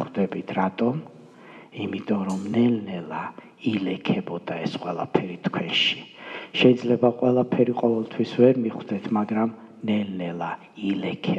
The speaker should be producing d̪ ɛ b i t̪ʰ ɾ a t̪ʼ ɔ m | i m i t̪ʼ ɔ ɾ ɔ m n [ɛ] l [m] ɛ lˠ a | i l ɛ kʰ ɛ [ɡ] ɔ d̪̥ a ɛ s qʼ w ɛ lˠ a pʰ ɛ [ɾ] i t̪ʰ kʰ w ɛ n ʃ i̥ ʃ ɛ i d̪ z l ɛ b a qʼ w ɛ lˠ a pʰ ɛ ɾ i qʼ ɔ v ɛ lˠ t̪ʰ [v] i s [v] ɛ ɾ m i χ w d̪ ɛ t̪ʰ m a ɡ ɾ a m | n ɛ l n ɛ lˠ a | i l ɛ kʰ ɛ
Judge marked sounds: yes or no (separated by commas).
yes, no, no, yes, no, yes